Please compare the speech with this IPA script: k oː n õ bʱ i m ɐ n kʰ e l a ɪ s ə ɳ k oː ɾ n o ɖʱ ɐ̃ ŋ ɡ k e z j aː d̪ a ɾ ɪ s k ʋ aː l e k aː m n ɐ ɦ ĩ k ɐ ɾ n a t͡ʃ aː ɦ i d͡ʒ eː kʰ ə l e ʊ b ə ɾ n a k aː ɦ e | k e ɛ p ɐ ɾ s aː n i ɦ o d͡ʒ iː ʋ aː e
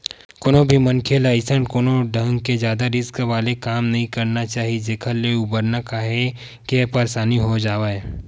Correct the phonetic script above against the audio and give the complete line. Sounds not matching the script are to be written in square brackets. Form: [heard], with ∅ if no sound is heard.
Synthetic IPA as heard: k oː n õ bʱ i m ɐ n kʰ e l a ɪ s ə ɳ k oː [∅] n o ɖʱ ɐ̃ ŋ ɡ k e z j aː d̪ a ɾ ɪ s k ʋ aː l e k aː m n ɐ ɦ ĩ k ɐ ɾ n a t͡ʃ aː ɦ i d͡ʒ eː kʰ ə l e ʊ b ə ɾ n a k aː ɦ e | k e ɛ p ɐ ɾ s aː n i ɦ o d͡ʒ [aː] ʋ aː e